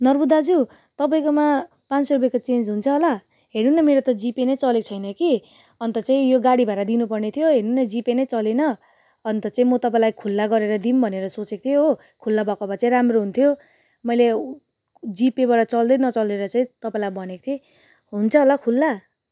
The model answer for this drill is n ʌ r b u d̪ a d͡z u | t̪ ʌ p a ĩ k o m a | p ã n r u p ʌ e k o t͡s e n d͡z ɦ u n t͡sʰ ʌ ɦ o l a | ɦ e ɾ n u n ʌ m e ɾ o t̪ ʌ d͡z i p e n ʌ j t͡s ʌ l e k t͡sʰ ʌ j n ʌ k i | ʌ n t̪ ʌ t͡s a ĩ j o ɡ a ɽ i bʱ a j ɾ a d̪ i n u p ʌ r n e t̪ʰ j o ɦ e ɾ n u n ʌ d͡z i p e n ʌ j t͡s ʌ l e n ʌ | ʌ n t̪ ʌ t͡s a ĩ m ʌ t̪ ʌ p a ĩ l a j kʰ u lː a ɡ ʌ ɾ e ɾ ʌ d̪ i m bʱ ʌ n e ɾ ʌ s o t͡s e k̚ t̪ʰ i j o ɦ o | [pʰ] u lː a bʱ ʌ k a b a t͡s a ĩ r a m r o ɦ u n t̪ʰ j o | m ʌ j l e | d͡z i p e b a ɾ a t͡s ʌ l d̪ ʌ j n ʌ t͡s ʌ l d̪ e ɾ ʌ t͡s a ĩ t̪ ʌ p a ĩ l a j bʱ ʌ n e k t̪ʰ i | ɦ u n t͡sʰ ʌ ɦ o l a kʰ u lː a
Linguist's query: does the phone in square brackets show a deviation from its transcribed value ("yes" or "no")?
yes